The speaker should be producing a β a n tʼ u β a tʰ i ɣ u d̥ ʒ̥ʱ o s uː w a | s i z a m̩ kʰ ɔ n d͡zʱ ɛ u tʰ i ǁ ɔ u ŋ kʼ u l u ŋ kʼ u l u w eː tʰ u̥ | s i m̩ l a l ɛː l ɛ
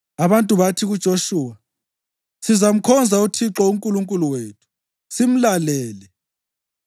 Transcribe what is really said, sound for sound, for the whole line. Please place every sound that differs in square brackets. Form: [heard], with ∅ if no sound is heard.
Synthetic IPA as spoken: a β a n tʼ u β a tʰ i ɣ u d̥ ʒ̥ʱ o [ʃ] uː w a | s i z a m̩ kʰ ɔ n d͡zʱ [a] u tʰ i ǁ ɔ u ŋ kʼ u l u ŋ kʼ u l u w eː tʰ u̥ | s i m̩ l a l ɛː l ɛ